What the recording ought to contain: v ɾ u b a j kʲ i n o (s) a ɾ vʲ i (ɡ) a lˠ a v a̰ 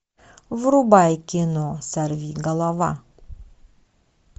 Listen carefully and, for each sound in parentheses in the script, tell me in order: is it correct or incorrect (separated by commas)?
correct, correct